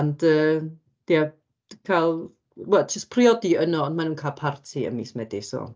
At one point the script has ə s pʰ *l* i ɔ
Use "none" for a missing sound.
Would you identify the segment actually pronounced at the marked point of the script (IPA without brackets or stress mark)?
r